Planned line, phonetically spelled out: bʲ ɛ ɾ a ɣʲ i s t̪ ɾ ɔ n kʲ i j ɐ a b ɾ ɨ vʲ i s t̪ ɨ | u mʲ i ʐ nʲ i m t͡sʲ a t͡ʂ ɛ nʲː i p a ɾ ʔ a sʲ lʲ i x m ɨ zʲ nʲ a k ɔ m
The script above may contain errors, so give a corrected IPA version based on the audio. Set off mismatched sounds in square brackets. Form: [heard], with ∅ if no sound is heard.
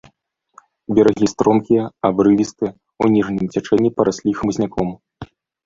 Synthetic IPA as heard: bʲ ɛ ɾ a ɣʲ i s t̪ ɾ ɔ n kʲ i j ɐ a b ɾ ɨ vʲ i s t̪ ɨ | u [nʲ] i ʐ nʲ i m t͡sʲ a t͡ʂ ɛ nʲː i p [ɐ] ɾ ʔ a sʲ lʲ i x m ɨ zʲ nʲ a k ɔ m